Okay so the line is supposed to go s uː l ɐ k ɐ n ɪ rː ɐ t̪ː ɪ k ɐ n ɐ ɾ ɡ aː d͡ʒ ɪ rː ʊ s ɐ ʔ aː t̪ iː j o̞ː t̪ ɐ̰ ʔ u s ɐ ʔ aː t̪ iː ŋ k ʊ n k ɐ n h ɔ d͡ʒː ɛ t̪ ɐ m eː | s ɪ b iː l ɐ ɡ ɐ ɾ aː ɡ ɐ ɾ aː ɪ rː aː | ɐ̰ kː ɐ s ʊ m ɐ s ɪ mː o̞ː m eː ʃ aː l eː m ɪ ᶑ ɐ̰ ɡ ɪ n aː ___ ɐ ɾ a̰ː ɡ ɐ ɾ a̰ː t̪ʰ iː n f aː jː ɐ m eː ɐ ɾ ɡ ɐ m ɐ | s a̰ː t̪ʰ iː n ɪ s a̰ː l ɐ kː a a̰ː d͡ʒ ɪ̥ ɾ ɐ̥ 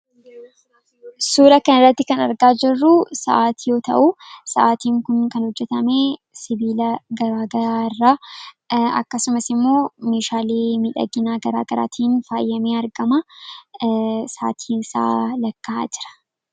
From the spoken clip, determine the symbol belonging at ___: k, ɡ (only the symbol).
ɡ